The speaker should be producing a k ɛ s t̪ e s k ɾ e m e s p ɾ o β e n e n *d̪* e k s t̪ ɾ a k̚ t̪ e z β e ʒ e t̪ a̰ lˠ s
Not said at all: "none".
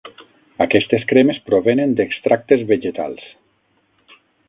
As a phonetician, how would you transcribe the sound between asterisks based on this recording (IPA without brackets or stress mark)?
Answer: d̪